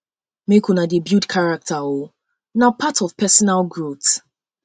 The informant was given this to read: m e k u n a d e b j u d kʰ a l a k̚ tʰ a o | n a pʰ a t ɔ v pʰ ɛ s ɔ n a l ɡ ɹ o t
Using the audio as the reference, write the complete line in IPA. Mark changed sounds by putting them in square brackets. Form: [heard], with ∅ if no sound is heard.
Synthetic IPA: m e k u n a d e b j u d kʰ a [ɹ] a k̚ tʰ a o | n a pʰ a t ɔ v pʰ ɛ s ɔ n a l ɡ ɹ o t